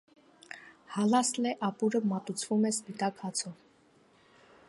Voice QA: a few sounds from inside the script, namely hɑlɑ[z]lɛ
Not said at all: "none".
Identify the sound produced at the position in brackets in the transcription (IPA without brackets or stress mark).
s